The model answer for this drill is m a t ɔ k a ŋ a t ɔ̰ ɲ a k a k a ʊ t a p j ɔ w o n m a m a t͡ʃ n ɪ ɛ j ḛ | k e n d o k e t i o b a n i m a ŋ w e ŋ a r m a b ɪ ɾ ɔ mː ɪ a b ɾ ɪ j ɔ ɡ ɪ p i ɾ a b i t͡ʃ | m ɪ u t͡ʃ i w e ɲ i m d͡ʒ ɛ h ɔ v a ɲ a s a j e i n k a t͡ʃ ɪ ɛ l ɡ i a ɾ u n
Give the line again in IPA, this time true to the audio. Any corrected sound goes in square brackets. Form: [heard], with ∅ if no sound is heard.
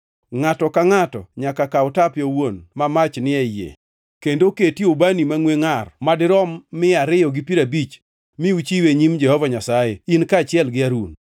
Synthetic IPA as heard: [ŋ] a t ɔ k a ŋ a t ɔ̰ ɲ a k a k a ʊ t a p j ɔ w o n m a m a t͡ʃ n ɪ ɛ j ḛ | k e n d o k e t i o b a n i m a ŋ w e ŋ a r m a [d] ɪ ɾ ɔ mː ɪ a [∅] ɾ ɪ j ɔ ɡ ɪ p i ɾ a b i t͡ʃ | m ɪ u t͡ʃ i w e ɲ i m d͡ʒ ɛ h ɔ v a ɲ a s a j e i n k a t͡ʃ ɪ ɛ l ɡ [ɪ] a ɾ u n

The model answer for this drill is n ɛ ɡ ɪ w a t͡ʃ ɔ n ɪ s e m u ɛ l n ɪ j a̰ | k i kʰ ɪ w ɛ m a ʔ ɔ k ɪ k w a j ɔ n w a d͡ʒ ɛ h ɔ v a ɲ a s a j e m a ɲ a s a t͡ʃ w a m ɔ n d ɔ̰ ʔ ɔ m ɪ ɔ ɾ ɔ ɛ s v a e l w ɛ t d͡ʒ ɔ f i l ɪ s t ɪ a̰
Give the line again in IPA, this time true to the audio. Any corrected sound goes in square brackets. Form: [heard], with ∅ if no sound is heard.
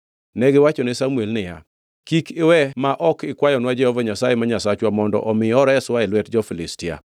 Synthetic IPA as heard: n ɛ ɡ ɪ w a t͡ʃ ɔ n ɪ s [a] m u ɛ l n ɪ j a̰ | k i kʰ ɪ w ɛ m a ʔ ɔ k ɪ k w a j ɔ n w a d͡ʒ ɛ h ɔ v a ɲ a s a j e m a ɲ a s a t͡ʃ w a m ɔ n d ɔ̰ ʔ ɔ m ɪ ɔ ɾ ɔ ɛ s [w] a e l w ɛ t d͡ʒ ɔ f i l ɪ s t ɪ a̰

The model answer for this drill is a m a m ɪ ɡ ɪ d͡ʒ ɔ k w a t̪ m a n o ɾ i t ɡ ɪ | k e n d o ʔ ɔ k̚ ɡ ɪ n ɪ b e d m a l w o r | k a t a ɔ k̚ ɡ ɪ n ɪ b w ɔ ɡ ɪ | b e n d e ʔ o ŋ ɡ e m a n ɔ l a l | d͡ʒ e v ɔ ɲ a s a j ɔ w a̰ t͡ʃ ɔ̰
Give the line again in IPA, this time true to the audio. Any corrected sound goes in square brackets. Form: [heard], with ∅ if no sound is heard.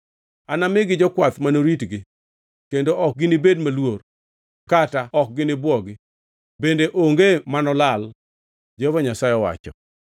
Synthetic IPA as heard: a [n] a m ɪ ɡ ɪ d͡ʒ ɔ k w a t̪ m a n o ɾ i t ɡ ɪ | k e n d o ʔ ɔ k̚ ɡ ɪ n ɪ b e d m a l w o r | k a t a ɔ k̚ ɡ ɪ n ɪ b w ɔ ɡ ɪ | b e n d e ʔ o ŋ ɡ e m a n ɔ l a l | d͡ʒ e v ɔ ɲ a s a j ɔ w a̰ t͡ʃ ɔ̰

